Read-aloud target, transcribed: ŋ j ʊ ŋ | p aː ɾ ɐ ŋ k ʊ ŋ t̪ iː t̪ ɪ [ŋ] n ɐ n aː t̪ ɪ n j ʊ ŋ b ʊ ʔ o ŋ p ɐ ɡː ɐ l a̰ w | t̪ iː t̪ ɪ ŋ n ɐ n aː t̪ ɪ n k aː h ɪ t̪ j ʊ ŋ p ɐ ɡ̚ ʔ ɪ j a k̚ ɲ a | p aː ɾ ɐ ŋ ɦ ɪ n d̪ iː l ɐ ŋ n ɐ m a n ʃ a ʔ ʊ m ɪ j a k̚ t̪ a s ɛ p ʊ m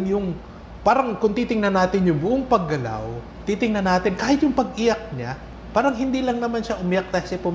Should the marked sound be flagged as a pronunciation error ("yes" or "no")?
no